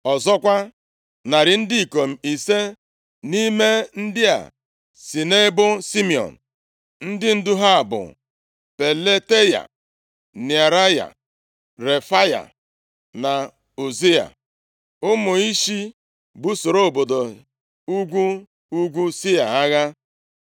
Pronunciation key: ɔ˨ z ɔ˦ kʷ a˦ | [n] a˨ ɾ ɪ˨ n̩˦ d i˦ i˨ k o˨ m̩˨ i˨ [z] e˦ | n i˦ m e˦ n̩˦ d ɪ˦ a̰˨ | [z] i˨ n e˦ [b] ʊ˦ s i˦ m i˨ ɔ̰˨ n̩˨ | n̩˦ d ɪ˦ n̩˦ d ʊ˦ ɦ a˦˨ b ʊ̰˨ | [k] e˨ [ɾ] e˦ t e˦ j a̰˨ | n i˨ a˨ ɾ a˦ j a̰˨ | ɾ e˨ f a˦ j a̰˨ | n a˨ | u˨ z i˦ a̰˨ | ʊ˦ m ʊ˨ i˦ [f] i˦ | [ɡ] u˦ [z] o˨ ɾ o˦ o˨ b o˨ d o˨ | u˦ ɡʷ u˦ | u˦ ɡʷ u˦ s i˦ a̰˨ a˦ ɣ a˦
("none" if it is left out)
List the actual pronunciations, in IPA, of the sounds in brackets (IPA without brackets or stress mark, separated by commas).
n, s, s, b, p, l, ʃ, b, s